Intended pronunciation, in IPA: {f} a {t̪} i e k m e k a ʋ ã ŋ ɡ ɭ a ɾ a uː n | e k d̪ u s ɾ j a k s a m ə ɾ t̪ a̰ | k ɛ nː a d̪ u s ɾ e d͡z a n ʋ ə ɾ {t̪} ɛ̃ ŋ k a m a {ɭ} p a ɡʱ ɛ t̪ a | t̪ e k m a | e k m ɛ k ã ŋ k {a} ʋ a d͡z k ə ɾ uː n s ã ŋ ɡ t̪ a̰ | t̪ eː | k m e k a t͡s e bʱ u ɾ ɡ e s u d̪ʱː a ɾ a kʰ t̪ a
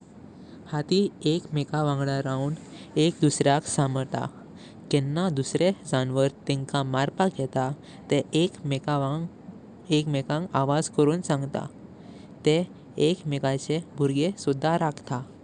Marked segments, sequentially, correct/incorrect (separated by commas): incorrect, correct, correct, incorrect, correct